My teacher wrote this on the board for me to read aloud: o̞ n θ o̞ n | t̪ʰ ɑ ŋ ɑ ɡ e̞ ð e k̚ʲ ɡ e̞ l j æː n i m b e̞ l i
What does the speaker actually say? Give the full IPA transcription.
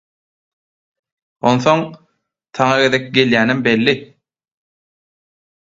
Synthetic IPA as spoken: o̞ n θ o̞ ŋ | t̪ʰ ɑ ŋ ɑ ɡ e̞ ð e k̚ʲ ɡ e̞ l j æː n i m b e̞ lː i

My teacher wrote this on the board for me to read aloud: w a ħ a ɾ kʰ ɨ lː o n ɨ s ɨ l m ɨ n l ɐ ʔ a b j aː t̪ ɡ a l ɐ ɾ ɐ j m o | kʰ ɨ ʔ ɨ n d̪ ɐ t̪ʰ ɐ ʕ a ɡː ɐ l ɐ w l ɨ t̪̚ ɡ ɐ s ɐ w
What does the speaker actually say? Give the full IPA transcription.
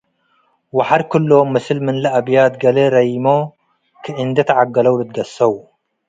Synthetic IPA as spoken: w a ħ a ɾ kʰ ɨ lː o m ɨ s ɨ l m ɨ n l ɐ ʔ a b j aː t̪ ɡ ɐ l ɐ ɾ ɐ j m o | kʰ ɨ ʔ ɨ n d̪ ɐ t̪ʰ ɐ ʕ a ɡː ɐ l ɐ w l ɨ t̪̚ ɡ ɐ s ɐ w

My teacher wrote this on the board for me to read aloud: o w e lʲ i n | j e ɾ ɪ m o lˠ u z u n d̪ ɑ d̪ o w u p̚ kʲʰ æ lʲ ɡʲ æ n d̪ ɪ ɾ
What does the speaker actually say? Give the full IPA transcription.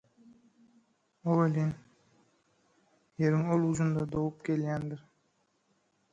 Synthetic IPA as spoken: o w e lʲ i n | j e ɾ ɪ ŋ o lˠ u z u n d̪ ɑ d̪ o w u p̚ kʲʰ e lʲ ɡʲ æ n d̪ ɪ ɾ

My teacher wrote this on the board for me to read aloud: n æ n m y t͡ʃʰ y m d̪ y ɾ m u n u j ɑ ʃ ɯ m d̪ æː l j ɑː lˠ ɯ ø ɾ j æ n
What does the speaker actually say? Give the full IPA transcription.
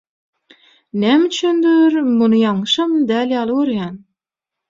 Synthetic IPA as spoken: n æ m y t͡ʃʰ y n d̪ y ɾ m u n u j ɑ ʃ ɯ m d̪ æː l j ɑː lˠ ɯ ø ɾ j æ n

